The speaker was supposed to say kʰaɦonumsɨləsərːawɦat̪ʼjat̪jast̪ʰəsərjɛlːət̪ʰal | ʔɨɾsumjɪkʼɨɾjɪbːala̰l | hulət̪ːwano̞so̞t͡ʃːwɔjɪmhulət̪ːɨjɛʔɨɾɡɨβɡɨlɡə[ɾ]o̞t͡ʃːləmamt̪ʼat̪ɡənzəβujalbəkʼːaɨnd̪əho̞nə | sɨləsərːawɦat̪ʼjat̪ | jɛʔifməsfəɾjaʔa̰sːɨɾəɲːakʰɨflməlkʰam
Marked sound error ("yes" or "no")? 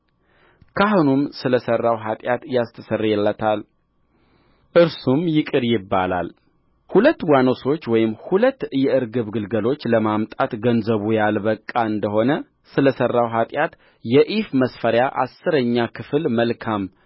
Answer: yes